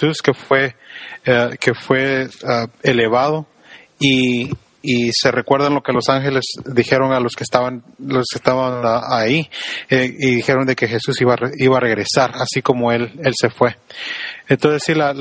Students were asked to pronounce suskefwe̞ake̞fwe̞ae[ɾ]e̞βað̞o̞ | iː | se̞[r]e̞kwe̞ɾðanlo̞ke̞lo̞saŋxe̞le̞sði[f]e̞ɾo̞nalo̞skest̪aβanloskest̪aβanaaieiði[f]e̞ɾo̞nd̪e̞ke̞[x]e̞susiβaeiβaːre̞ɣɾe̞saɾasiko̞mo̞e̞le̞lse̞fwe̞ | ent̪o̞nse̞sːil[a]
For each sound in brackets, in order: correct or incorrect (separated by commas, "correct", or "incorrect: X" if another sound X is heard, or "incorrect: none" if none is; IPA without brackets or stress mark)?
incorrect: l, correct, incorrect: x, incorrect: x, correct, correct